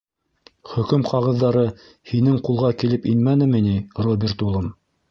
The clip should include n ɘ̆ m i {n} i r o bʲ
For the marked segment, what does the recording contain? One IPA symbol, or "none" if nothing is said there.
n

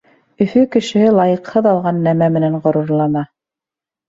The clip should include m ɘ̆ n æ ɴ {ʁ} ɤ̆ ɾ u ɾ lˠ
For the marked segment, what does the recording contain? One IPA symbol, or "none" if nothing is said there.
ʁ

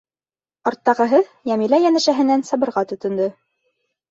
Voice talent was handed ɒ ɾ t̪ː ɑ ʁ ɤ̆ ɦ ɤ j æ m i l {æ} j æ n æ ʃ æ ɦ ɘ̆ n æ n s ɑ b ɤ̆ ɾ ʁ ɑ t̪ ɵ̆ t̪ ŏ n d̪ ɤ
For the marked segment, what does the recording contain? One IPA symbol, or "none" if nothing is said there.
æ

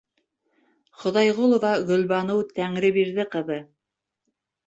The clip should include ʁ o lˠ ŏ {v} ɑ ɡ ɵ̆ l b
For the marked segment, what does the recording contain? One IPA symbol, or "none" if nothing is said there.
v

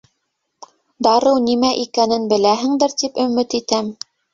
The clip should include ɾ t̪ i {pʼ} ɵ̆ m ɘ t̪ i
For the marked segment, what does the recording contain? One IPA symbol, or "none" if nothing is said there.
p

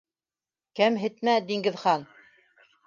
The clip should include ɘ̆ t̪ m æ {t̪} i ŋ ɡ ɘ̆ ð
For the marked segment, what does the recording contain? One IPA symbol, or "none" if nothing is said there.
d̪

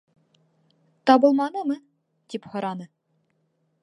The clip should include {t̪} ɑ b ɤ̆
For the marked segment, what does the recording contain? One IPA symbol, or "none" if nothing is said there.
t̪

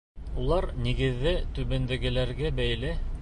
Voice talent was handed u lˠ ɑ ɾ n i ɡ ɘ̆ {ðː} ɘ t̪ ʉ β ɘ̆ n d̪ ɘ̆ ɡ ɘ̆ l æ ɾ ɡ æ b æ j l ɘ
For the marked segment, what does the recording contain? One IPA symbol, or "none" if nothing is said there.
ðː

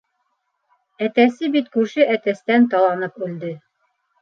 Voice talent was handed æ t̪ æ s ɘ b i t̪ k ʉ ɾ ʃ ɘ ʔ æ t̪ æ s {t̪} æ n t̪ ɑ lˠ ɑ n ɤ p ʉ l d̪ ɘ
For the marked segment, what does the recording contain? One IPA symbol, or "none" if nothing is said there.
t̪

